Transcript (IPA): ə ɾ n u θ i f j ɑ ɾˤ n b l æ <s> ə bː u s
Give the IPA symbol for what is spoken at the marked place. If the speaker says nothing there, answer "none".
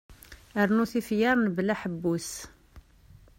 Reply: ħ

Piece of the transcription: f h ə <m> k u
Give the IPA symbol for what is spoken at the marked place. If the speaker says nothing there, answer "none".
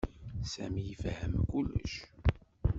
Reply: m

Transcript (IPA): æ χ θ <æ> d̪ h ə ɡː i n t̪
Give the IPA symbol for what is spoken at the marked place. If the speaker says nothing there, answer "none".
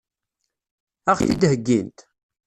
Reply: i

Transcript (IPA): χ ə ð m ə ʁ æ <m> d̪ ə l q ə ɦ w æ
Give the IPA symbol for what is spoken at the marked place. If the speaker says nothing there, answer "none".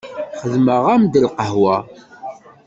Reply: m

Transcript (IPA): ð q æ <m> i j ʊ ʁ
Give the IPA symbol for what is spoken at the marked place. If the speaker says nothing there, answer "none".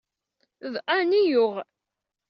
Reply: n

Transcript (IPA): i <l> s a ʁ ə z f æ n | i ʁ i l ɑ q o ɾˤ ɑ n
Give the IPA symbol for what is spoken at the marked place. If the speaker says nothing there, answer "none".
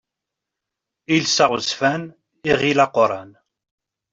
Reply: l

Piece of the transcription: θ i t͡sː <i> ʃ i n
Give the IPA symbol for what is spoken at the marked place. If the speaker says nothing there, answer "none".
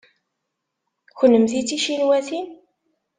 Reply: i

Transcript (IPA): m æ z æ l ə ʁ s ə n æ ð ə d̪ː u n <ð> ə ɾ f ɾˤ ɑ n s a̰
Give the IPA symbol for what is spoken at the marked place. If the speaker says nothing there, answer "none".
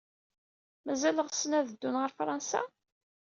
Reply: ʁ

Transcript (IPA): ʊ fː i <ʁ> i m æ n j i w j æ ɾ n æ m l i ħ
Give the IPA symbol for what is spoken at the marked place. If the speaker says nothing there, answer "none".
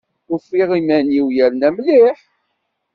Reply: ʁ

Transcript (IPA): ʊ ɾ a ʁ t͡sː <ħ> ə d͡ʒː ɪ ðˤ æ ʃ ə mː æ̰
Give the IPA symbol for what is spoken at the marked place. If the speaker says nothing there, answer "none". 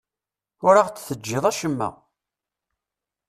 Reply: θ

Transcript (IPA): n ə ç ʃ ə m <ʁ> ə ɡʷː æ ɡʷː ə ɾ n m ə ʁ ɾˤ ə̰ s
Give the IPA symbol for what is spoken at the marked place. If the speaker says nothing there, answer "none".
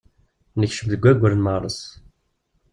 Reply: ð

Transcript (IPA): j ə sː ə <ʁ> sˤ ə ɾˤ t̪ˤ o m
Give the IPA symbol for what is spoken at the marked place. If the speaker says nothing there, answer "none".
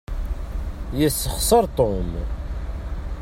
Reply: χ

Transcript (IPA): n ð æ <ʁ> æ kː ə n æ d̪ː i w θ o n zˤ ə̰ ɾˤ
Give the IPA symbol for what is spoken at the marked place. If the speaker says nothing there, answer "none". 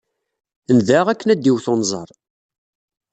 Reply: ʁ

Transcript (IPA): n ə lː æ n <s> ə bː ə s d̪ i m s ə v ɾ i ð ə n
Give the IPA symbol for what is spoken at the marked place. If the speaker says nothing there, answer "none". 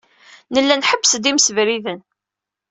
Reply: ħ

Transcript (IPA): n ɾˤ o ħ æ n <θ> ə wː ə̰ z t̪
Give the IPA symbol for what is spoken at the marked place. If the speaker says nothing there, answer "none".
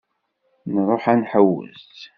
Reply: ħ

